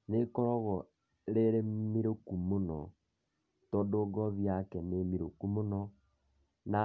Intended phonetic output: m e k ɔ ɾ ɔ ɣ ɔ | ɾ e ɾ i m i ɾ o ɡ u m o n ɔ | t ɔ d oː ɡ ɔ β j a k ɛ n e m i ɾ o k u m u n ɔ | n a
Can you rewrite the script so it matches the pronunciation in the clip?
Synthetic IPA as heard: n e k ɔ ɾ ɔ ɣ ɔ | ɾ e ɾ e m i ɾ o k u m o n ɔ | t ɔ d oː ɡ ɔ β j a k ɛ n e m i ɾ o k u m o n ɔ | n a